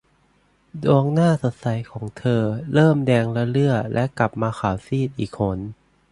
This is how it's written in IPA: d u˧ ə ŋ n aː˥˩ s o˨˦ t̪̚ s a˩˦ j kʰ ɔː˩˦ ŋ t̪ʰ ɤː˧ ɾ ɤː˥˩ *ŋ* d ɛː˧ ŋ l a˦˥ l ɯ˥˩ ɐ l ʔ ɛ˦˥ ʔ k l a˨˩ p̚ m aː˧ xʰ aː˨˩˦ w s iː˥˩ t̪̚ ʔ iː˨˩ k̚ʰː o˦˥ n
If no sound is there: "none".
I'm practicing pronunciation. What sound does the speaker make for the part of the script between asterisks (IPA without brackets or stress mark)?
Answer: m